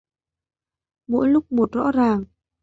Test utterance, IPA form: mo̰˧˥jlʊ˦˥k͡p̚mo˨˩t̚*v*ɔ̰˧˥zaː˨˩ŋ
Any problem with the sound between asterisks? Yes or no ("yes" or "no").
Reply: yes